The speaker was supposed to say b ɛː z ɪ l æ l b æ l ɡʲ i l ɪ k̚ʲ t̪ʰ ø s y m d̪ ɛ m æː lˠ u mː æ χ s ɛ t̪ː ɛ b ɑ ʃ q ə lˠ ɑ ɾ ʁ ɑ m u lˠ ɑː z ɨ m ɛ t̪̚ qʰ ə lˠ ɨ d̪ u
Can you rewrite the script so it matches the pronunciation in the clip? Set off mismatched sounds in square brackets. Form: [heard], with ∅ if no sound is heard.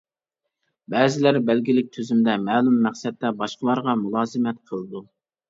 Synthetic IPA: b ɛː z ɪ l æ [ɾ] b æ l ɡʲ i l ɪ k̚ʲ t̪ʰ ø [z] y m d̪ ɛ m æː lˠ u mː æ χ s ɛ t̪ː ɛ b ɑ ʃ q ə lˠ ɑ ɾ ʁ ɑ m u lˠ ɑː z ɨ m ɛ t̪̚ qʰ ə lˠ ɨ d̪ u